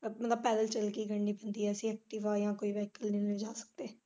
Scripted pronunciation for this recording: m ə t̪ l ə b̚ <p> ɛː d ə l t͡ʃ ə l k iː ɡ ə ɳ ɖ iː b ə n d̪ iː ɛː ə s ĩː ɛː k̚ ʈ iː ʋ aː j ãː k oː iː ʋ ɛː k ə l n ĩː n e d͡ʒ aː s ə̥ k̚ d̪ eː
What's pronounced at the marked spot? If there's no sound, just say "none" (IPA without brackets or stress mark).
p